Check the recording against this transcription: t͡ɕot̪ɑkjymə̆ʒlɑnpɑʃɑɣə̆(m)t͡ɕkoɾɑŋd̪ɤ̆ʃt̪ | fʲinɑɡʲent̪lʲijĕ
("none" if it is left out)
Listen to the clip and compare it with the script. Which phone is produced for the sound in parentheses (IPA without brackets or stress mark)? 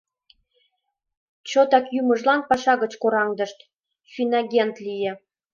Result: none